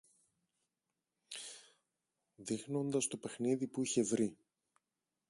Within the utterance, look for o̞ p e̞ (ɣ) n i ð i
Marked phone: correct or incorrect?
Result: incorrect